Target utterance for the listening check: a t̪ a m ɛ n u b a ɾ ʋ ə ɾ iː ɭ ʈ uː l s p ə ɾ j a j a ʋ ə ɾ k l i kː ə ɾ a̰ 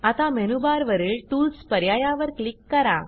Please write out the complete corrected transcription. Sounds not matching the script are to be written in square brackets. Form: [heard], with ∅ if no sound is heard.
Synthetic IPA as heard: a t̪ a m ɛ n u b a ɾ ʋ ə ɾ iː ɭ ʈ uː l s p ə ɾ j a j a ʋ ə ɾ k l i kː ə ɾ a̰